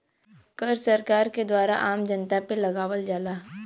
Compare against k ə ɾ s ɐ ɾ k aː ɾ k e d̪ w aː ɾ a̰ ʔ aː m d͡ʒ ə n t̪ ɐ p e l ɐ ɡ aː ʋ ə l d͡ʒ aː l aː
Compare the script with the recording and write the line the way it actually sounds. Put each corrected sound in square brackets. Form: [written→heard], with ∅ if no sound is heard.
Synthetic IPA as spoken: k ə ɾ s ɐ ɾ k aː ɾ k e d̪ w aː ɾ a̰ ʔ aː m d͡ʒ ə n t̪ [ɐ→a] p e l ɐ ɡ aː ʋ ə l d͡ʒ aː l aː